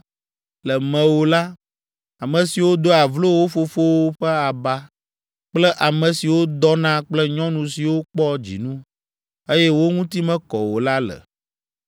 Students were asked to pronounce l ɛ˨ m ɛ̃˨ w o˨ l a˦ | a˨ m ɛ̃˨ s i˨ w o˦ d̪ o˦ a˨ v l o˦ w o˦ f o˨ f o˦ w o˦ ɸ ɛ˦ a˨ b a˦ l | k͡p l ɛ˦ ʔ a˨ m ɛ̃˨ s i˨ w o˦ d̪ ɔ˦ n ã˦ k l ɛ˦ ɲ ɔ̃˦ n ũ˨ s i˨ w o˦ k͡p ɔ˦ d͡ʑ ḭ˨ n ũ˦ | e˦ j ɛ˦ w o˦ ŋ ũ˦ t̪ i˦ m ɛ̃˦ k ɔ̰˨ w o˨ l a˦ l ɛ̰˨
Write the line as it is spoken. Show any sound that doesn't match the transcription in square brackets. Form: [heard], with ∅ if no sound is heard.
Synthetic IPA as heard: l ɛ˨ m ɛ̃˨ w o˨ l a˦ | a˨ m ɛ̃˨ s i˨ w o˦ d̪ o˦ a˨ v l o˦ w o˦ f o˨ f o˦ w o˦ ɸ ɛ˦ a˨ b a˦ [∅] | k͡p l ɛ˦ ʔ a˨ m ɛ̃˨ s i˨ w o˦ d̪ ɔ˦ n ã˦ [k͡p] l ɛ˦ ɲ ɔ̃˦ n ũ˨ s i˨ w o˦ k͡p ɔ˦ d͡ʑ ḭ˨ n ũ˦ | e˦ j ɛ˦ w o˦ ŋ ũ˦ t̪ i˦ m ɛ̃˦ k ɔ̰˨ w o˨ l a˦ l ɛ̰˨